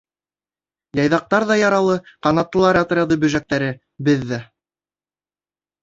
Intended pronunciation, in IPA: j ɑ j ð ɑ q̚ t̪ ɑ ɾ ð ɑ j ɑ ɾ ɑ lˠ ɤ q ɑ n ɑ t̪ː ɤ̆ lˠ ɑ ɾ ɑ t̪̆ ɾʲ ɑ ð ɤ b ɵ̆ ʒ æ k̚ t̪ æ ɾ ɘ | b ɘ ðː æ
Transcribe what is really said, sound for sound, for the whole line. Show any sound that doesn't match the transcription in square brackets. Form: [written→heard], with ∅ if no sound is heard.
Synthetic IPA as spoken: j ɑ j ð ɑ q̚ t̪ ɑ ɾ ð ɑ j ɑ ɾ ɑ lˠ ɤ q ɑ n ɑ t̪ː ɤ̆ lˠ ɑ ɾ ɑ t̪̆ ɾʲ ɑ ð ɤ b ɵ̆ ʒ æ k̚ t̪ æ ɾ ɘ | b ɘ ðː æ

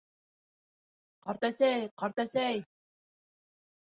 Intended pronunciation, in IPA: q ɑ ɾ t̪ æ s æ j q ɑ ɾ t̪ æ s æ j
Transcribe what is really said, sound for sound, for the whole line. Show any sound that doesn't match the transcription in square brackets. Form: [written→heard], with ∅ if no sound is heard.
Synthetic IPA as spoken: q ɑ ɾ t̪ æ s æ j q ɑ ɾ t̪ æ s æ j

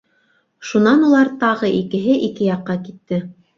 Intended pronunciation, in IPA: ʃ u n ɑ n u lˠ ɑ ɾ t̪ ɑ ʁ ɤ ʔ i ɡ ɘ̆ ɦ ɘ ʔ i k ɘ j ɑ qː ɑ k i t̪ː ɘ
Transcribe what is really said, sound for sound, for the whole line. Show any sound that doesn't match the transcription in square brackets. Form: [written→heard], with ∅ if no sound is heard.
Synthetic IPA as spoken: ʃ u n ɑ n u lˠ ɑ ɾ t̪ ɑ ʁ ɤ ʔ i [ɡ→k] ɘ̆ ɦ ɘ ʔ i k ɘ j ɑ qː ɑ k i t̪ː ɘ

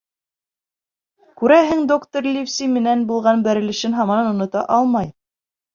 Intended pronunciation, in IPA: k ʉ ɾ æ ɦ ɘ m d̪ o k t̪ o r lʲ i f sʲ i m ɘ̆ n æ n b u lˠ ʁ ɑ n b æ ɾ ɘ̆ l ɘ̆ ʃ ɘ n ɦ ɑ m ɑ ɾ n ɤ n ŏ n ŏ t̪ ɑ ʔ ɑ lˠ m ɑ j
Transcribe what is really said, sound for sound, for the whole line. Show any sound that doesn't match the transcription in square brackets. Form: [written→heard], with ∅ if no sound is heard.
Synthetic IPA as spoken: k ʉ ɾ æ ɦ ɘ [m→ŋ] d̪ o k t̪ o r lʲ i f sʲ i m ɘ̆ n æ n b u lˠ ʁ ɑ n b æ ɾ ɘ̆ l ɘ̆ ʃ ɘ n ɦ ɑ m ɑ [ɾ→∅] n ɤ n ŏ n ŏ t̪ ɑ ʔ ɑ lˠ m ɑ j

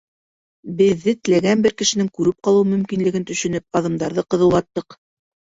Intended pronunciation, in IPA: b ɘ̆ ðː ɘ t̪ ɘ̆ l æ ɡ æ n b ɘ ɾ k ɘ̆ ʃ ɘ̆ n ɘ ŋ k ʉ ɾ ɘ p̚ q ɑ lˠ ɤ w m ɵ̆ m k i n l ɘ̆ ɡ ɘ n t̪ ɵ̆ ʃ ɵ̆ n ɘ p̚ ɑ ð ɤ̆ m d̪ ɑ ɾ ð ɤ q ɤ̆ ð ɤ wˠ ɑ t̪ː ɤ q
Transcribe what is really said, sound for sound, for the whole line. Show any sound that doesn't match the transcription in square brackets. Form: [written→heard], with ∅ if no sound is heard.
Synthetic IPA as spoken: b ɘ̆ ðː ɘ t̪ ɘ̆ l æ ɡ æ n b ɘ ɾ k ɘ̆ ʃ ɘ̆ n ɘ ŋ k ʉ ɾ ɘ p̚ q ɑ lˠ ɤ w m ɵ̆ m k i n l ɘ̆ ɡ ɘ n t̪ ɵ̆ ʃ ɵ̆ n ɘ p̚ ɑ ð ɤ̆ m d̪ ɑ ɾ ð ɤ q ɤ̆ ð ɤ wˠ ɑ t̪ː ɤ q

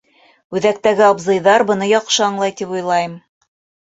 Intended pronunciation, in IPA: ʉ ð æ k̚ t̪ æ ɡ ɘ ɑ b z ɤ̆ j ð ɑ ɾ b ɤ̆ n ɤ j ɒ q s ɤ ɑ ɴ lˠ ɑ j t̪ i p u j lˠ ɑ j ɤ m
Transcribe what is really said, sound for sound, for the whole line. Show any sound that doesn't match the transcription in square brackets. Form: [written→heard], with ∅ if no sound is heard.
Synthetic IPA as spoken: ʉ ð æ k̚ t̪ æ ɡ ɘ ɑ b z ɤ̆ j ð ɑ ɾ b ɤ̆ n ɤ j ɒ q [s→ʃ] ɤ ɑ ɴ lˠ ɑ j t̪ i p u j lˠ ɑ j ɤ m

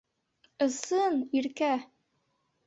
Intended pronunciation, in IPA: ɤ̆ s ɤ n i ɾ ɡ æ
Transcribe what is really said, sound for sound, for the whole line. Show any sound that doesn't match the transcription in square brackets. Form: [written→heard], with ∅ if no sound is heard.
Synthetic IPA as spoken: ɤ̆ s ɤ n i ɾ [ɡ→k] æ

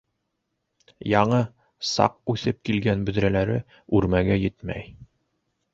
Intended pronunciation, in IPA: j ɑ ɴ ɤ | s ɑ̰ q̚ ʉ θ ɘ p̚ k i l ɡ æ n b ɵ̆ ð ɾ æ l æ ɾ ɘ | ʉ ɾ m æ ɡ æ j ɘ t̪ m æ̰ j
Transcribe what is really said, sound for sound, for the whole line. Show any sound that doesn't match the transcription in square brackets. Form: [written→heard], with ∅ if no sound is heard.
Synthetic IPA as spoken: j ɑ ɴ ɤ | s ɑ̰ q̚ ʉ θ ɘ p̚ k i l ɡ æ n b ɵ̆ ð ɾ æ l æ ɾ ɘ | ʉ ɾ m æ ɡ æ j ɘ t̪ m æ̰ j

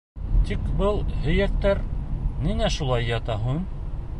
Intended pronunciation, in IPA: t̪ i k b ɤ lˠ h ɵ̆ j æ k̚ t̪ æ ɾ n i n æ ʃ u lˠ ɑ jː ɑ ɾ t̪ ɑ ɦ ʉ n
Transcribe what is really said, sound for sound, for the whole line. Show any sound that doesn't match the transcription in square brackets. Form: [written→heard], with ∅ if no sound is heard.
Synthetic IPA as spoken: t̪ i k b ɤ lˠ h ɵ̆ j æ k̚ t̪ æ ɾ n i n æ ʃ u lˠ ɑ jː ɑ [ɾ→∅] t̪ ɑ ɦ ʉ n

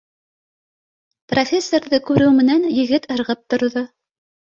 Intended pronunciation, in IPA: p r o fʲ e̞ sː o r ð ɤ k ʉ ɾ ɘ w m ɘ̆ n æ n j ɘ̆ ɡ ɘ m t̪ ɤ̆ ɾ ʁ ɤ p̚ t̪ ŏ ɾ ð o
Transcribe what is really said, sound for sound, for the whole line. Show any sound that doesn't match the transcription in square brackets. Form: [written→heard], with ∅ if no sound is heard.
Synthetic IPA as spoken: p r o fʲ e̞ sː o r ð ɤ k ʉ ɾ ɘ w m ɘ̆ n æ n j ɘ̆ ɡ ɘ [m→∅] t̪ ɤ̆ ɾ ʁ ɤ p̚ t̪ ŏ ɾ ð o

